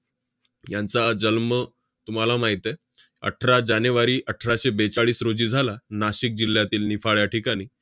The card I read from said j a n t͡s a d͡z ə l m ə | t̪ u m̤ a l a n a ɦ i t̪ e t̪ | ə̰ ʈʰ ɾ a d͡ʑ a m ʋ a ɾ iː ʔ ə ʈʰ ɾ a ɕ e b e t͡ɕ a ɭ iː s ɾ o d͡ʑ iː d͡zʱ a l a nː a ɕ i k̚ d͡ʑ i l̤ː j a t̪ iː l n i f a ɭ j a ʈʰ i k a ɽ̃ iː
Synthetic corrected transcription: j a n t͡s a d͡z ə l m ə | t̪ u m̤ a l a m a ɦ i t̪ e | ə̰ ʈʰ ɾ a d͡ʑ a n ʋ a ɾ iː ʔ ə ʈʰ ɾ a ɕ e b e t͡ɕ a ɭ iː s ɾ o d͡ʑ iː d͡zʱ a l a n a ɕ i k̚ d͡ʑ i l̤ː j a t̪ iː l n i f a ɭ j a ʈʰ i k a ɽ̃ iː

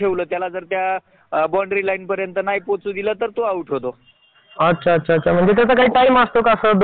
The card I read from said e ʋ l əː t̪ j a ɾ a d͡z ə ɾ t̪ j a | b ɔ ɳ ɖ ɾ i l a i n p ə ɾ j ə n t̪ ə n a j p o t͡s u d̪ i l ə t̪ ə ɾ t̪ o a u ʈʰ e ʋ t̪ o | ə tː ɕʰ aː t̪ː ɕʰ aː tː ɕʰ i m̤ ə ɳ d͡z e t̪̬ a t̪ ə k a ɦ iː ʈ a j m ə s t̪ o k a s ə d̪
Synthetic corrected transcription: e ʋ l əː t̪ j a l a d͡z ə ɾ t̪ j a | b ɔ ɳ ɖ ɾ i l a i n p ə ɾ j ə n t̪ ə n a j p o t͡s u d̪ i l ə t̪ ə ɾ t̪ o a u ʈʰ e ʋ t̪ o | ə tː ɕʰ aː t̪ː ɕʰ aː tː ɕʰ a m̤ ə ɳ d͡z e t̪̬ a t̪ ə k a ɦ iː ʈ a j m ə s t̪ o k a s ə d̪

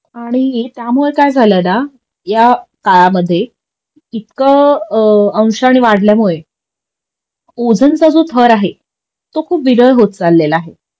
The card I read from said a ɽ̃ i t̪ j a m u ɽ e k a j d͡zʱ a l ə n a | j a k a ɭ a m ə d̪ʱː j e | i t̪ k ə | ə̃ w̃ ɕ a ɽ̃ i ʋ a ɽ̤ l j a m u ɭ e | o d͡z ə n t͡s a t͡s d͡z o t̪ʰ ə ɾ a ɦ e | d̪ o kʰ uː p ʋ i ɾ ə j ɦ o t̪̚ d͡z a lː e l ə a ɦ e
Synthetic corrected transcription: a ɽ̃ i t̪ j a m u ɭ e k a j d͡zʱ a l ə n a | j a k a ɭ a m ə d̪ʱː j e | i t̪ k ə | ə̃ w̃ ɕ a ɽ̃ i ʋ a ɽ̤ l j a m u ɭ e | o d͡z ə n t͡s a d͡z o t̪ʰ ə ɾ a ɦ e | t̪ o kʰ uː p ʋ i ɾ ə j ɦ o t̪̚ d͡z a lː e l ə a ɦ e

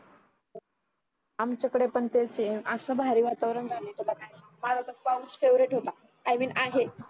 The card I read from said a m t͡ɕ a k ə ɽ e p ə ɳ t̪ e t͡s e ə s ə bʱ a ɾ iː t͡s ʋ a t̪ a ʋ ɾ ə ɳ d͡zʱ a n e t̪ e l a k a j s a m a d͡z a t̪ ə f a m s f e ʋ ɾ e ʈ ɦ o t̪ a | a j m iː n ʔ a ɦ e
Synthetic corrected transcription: a m t͡ɕ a k ə ɽ e p ə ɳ t̪ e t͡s e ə s ə bʱ a ɾ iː ʋ a t̪ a ʋ ɾ ə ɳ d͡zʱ a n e t̪ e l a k a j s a m a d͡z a t̪ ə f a m s f e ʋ ɾ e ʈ ɦ o t̪ a | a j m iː n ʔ a ɦ e

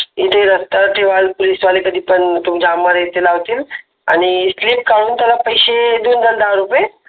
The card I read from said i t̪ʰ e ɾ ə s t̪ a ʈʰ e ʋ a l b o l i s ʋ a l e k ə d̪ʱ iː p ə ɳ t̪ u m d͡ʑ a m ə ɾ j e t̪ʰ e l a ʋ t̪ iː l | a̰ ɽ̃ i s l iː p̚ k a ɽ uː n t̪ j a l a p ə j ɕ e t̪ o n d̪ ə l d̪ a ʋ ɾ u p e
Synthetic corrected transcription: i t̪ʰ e ɾ ə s t̪ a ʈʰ e ʋ a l p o l i s ʋ a l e k ə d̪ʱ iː p ə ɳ t̪ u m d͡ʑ a m ə ɾ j e t̪ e l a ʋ t̪ iː l | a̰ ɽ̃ i s l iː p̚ k a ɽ uː n t̪ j a l a p ə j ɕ e d̪ o n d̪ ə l d̪ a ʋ ɾ u p e

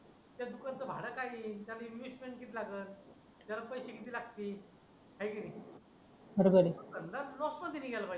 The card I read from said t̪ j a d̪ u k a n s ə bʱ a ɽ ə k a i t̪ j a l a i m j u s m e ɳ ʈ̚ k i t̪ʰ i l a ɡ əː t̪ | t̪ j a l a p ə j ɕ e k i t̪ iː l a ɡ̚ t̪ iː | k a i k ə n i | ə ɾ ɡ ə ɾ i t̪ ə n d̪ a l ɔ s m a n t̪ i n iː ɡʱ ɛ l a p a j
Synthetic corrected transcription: t̪ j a d̪ u k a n t͡s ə bʱ a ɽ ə k a i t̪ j a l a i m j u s m e ɳ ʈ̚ k i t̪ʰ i l a ɡ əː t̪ | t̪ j a l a p ə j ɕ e k i t̪ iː l a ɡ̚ t̪ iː | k a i k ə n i | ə ɾ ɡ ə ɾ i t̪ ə n d̪ a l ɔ s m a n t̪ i n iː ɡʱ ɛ l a p a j

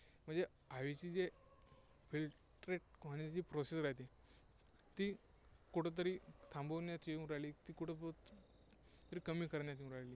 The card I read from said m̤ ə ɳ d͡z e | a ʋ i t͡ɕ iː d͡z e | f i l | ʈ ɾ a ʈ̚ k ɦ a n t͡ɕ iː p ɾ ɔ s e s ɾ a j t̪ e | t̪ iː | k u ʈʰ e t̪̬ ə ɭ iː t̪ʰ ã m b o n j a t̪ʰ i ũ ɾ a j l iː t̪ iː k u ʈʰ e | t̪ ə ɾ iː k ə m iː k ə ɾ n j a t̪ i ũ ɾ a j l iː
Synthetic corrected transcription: m̤ ə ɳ d͡z e | a ʋ i t͡ɕ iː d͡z e | f i l | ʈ ɾ e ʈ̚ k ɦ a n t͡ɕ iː p ɾ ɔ s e s ɾ a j t̪ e | t̪ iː | k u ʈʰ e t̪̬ ə ɾ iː t̪ʰ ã m b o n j a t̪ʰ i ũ ɾ a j l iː t̪ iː k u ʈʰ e | t̪ ə ɾ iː k ə m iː k ə ɾ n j a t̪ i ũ ɾ a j l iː

